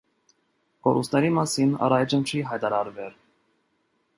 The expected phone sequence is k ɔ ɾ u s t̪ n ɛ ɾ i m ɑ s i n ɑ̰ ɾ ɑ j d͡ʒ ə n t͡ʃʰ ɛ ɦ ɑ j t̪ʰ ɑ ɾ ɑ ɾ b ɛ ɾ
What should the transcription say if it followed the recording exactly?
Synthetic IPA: k ɔ ɾ u s t̪ n ɛ ɾ i m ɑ s i n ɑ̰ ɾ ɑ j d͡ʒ ə n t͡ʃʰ i ɦ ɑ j t̪ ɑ ɾ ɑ ɾ v ɛ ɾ